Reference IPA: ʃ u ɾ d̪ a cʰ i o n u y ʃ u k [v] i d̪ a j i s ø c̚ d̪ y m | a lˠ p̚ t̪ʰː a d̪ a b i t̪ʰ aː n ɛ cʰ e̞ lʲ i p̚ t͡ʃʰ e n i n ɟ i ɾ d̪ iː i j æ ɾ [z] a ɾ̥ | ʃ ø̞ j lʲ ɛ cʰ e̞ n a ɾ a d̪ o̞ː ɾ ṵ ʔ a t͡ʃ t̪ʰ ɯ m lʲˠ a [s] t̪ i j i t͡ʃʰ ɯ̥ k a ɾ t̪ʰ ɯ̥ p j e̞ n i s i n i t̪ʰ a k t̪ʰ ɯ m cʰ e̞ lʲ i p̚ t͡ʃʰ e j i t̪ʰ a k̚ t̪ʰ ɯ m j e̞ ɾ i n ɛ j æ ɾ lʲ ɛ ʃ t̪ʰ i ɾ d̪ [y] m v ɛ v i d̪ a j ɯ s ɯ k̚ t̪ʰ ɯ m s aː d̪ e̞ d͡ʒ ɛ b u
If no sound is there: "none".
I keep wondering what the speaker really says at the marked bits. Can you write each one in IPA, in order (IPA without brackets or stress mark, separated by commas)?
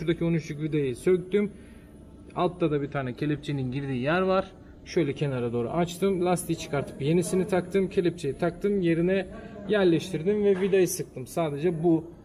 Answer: v, v, s, i